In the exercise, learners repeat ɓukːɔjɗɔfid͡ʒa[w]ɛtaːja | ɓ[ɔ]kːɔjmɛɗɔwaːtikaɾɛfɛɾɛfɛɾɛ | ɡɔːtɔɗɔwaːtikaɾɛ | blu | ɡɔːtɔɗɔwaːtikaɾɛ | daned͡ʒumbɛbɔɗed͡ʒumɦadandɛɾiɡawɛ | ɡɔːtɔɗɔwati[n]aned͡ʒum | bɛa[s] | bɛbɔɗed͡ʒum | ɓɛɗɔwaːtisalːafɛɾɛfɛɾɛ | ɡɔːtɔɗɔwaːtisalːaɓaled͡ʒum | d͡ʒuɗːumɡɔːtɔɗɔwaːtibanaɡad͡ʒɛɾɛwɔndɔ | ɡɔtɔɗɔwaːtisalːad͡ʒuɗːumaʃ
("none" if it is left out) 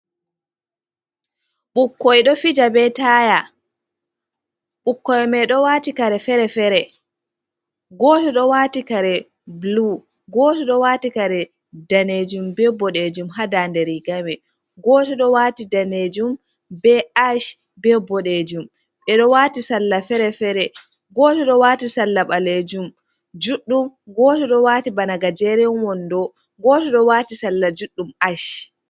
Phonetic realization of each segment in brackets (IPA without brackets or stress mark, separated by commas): b, u, d, ʃ